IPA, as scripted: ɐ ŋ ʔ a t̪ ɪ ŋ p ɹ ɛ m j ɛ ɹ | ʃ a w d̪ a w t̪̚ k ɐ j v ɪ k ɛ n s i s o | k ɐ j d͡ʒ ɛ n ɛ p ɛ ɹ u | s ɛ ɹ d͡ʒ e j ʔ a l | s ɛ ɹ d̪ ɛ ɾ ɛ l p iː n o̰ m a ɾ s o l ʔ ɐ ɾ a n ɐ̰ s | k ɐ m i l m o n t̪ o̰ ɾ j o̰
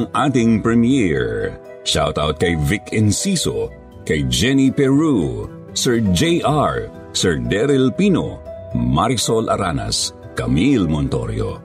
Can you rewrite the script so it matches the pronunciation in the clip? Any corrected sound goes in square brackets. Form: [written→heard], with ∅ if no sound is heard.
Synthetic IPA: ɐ ŋ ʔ a t̪ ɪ ŋ p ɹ ɛ m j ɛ ɹ | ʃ a w [d̪→t̪] a w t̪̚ k ɐ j v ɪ k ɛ n s i s o | k ɐ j d͡ʒ ɛ n [ɛ→i] p ɛ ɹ u | s ɛ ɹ d͡ʒ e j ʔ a [l→ɹ] | s ɛ ɹ d̪ ɛ ɾ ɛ l p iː n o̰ m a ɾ s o l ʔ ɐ ɾ a n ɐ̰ s | k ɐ m i l m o n t̪ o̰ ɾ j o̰